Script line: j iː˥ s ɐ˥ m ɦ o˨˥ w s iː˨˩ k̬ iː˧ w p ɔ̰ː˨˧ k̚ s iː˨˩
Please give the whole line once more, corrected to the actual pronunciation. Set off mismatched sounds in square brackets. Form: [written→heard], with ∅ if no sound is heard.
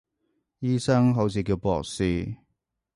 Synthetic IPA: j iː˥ s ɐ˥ [m→ŋ] ɦ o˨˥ w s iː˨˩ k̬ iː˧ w p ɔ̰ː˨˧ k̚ s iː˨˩